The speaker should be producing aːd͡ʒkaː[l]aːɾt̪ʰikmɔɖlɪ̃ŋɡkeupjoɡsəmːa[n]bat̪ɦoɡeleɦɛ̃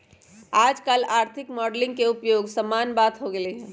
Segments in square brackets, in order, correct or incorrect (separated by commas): correct, correct